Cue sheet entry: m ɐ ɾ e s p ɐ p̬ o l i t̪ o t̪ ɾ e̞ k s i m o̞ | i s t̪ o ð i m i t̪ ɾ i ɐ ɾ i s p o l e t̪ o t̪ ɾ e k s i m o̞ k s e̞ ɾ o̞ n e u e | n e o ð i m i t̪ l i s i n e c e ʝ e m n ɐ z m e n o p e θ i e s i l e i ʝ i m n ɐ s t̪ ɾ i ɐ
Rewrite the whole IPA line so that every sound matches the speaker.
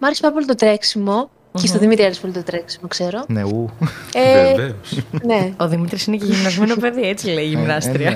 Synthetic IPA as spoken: m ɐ ɾ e s p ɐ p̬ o l i t̪ o t̪ ɾ e̞ k s i m o̞ | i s t̪ o ð i m i t̪ ɾ i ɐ ɾ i s p o l i t̪ o t̪ ɾ e k s i m o̞ k s e̞ ɾ o̞ n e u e | n e o ð i m i t̪ ɾ i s i n e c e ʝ i m n ɐ z m e n o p e ð i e t͡s i l e i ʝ i m n ɐ s t̪ ɾ i ɐ